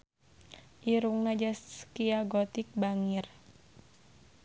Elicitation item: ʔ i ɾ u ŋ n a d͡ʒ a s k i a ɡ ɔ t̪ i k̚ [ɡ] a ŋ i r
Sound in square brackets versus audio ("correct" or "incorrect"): incorrect